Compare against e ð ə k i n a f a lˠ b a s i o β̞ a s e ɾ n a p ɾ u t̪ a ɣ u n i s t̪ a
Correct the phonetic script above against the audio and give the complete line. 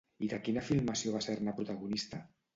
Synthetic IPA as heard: i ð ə k i n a f i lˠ m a s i o β̞ a s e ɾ n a p ɾ u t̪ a ɣ u n i s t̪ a